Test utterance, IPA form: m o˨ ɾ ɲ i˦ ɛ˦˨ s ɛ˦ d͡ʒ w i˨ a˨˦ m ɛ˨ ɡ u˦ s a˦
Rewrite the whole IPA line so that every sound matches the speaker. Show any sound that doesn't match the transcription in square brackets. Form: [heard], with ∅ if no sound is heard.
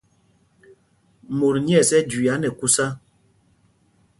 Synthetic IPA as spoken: m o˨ ɾ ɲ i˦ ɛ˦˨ s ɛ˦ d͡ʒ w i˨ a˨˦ [n] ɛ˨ [k] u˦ s a˦